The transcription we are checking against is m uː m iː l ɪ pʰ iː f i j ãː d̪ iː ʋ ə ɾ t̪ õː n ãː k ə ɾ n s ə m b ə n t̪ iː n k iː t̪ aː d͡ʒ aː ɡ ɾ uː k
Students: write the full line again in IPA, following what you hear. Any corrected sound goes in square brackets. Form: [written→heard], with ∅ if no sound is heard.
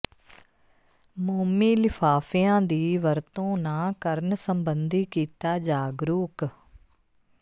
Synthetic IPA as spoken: m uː m iː l ɪ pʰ [iː→aː] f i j ãː d̪ iː ʋ ə ɾ t̪ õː n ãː k ə ɾ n s ə m b ə n [t̪→d̪] iː [n→∅] k iː t̪ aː d͡ʒ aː ɡ ɾ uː k